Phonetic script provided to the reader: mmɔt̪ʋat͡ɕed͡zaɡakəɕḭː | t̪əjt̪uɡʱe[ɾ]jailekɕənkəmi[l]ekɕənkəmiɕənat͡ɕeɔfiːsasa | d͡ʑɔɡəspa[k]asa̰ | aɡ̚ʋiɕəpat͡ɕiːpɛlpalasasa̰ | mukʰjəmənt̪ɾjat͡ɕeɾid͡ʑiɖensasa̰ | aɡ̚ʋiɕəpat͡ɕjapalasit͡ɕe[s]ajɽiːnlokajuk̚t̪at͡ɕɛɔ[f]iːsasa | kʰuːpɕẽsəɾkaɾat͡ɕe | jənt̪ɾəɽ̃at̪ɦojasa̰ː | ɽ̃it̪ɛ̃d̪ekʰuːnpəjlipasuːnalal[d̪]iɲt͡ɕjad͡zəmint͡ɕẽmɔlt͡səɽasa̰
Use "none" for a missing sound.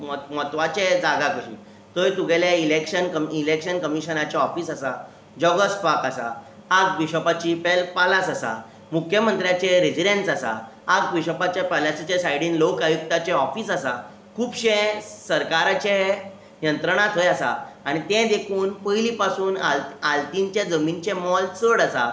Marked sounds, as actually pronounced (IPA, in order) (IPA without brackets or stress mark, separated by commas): l, l, k, s, f, t̪